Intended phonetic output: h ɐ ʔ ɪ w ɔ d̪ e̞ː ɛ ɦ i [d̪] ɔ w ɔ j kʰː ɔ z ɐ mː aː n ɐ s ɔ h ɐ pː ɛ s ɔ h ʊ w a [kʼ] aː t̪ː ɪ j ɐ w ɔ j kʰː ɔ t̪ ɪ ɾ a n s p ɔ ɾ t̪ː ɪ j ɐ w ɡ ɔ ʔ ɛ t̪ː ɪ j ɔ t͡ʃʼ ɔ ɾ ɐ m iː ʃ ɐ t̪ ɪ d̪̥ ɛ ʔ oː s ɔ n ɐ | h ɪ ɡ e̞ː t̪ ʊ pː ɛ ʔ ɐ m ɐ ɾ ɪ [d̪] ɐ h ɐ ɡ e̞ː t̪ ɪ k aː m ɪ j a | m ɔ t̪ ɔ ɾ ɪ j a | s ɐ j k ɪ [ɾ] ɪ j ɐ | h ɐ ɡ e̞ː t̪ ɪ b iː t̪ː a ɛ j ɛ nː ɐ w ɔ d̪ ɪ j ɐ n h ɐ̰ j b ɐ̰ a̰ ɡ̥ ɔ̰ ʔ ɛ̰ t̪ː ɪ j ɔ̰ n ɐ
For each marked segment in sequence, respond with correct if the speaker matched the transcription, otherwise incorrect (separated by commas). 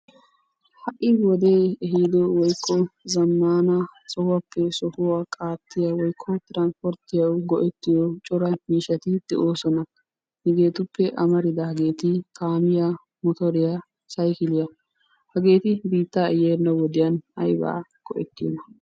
correct, correct, correct, incorrect